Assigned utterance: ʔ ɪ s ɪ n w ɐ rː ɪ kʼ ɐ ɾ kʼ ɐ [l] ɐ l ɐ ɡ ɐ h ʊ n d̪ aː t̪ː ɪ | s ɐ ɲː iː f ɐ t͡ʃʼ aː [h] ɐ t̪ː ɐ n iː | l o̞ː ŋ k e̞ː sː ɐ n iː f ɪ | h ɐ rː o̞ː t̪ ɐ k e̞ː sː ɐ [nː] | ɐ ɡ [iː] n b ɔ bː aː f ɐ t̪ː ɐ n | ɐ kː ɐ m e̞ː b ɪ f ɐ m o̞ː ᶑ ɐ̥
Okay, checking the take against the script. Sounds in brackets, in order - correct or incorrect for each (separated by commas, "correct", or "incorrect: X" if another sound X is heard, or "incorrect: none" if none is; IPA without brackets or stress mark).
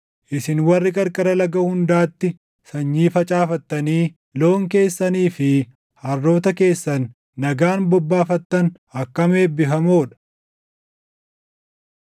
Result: incorrect: ɾ, incorrect: f, correct, incorrect: aː